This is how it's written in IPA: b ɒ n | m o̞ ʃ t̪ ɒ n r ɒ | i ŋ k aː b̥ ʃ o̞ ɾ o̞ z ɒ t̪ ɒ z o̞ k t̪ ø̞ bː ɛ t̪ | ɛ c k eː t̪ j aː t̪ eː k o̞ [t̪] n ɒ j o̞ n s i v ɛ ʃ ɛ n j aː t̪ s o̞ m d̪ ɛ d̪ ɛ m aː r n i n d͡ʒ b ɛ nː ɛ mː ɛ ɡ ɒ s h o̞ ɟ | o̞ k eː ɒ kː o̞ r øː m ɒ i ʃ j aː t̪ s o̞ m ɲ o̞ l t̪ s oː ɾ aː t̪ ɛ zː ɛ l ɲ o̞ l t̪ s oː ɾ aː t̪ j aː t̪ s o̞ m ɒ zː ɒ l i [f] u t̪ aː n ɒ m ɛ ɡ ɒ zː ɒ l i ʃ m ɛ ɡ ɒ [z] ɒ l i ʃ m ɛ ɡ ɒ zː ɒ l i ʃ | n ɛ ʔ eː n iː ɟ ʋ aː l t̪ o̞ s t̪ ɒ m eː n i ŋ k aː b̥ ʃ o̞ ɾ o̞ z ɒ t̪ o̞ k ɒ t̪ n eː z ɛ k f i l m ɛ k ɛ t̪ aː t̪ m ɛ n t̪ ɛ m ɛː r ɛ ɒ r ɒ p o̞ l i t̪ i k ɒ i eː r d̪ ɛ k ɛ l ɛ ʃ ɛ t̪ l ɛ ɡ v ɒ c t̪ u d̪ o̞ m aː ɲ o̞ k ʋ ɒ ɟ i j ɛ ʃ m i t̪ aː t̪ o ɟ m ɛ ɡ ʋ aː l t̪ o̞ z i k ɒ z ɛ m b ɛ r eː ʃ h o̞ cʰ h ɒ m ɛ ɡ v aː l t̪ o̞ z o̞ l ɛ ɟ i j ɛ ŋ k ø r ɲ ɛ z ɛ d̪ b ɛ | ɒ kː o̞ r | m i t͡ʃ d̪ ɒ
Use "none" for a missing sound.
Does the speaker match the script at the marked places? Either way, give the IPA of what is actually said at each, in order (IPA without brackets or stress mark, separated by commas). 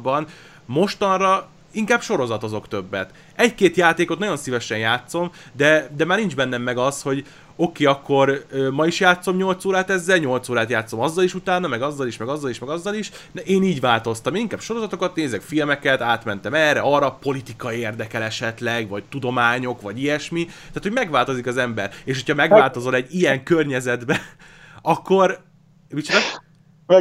t̪, ʃ, zː